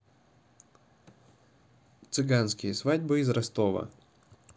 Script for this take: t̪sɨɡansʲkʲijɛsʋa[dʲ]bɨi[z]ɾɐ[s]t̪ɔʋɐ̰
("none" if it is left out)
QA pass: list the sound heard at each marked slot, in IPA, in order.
dʲ, z, s

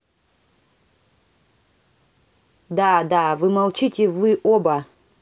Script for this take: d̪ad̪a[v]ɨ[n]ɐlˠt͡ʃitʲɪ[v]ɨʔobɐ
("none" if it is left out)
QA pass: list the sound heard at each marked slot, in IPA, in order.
v, m, v

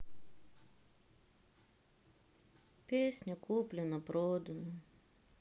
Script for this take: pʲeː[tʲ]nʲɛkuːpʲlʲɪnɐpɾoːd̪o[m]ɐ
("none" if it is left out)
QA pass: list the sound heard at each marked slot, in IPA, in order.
sʲ, n

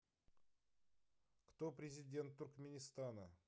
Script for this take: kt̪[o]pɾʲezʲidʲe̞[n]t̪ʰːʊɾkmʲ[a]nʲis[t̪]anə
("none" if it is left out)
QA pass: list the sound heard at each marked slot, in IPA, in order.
o, n, e, t̪

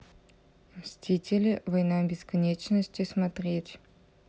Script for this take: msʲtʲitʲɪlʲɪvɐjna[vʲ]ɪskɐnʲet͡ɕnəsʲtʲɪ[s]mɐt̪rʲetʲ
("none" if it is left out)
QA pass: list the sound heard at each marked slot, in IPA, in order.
bʲ, s

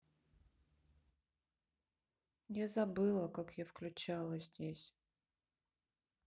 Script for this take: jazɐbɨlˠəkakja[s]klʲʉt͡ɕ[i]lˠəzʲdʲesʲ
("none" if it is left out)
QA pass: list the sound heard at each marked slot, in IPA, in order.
f, a

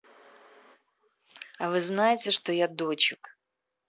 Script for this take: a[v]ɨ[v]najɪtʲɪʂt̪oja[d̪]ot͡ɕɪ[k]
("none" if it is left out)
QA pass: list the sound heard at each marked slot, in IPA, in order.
v, z, d̪, k

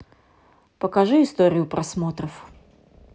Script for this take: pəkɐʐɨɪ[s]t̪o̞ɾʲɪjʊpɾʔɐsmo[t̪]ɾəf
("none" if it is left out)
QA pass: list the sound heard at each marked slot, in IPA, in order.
s, t̪

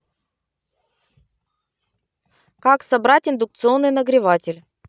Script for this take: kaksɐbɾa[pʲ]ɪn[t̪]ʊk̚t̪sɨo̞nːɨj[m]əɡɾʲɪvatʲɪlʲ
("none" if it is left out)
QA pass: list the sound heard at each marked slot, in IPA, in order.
tʲ, d̪, n

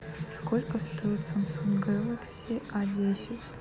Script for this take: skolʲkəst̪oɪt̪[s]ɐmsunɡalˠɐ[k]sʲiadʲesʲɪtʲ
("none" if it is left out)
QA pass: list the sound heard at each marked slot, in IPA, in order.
s, k

